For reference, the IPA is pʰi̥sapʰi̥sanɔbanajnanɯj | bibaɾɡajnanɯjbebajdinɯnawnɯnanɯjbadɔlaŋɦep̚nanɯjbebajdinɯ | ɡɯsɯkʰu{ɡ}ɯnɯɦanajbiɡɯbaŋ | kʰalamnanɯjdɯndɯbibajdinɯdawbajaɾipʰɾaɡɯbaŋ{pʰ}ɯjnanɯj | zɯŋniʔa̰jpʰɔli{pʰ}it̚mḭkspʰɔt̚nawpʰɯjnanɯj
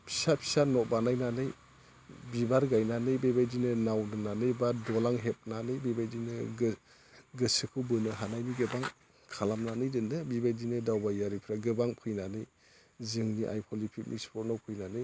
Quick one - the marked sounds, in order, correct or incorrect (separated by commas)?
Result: incorrect, correct, correct